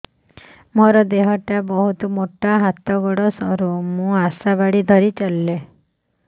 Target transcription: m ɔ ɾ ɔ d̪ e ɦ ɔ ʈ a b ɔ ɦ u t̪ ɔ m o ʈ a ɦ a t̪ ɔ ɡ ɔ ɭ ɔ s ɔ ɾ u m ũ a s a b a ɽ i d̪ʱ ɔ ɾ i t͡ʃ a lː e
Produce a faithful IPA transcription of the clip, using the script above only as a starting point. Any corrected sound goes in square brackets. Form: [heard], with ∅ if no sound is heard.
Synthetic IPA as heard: m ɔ ɾ ɔ d̪ e ɦ ɔ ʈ a b ɔ ɦ u t̪ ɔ m o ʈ a ɦ a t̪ ɔ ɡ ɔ [ɽ] ɔ s ɔ ɾ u m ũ a s a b a ɽ i d̪ʱ ɔ ɾ i t͡ʃ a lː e